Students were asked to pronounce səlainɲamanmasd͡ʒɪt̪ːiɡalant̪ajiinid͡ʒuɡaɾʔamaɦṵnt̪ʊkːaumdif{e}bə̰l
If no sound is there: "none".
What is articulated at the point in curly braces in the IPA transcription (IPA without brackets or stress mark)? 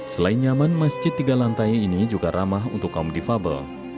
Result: a